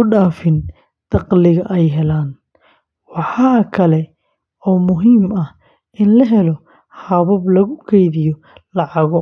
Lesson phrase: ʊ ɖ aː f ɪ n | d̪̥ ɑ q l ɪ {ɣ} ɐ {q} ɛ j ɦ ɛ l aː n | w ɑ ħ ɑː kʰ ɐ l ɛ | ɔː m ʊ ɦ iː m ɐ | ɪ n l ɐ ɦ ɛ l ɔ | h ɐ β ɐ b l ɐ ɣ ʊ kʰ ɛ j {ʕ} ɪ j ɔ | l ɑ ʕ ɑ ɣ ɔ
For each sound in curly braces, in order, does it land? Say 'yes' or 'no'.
yes, no, no

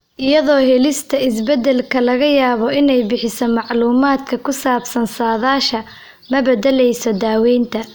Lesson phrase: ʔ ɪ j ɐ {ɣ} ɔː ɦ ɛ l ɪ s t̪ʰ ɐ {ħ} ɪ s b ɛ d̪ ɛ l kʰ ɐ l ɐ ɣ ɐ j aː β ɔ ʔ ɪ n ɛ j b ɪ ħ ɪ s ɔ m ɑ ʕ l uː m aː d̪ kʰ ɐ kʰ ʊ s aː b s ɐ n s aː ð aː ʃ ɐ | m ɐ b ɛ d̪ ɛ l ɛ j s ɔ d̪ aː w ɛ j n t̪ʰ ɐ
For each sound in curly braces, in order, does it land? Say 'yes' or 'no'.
no, no

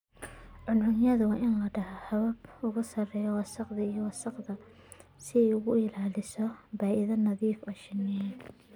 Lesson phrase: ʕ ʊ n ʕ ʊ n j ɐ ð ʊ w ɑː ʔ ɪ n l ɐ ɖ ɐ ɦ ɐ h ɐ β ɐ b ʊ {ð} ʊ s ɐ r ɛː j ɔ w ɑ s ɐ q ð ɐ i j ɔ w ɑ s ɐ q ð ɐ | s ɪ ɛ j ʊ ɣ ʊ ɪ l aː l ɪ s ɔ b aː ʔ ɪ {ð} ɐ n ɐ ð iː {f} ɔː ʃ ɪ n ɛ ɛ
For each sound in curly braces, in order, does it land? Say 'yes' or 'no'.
no, yes, yes

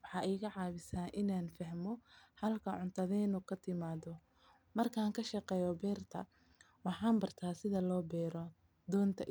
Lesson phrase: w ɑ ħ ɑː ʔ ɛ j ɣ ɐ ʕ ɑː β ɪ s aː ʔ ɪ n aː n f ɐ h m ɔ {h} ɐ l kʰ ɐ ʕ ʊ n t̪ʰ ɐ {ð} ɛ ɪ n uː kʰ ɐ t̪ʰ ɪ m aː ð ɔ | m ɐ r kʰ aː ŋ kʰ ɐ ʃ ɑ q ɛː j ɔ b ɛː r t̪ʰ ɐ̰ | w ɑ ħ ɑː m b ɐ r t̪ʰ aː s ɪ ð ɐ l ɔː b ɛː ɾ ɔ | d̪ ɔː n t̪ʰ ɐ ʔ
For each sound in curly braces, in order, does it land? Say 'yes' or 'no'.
yes, yes

